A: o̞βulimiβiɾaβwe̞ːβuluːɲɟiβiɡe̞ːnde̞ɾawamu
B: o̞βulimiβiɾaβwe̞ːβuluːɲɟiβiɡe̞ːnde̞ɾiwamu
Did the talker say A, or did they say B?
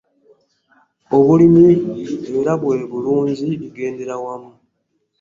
A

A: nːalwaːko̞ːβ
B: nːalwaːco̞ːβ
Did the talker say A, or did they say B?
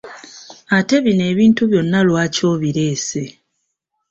B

